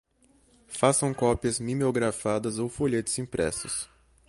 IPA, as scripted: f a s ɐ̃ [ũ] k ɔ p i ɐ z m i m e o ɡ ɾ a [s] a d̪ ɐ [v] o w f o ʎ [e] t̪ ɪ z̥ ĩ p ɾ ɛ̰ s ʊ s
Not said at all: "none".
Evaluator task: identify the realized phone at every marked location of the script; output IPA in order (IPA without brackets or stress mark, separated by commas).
w̃, f, z, e